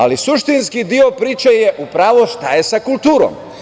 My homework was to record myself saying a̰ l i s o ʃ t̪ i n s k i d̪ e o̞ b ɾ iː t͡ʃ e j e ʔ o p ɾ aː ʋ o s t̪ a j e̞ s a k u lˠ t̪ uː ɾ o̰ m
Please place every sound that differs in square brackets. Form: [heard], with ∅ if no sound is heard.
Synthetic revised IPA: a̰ l i s [u] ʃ t̪ i n s k i d̪ [i] o̞ [p] ɾ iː t͡ʃ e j e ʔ [u] p ɾ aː ʋ o [ʃ] t̪ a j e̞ s a k u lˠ t̪ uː ɾ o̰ m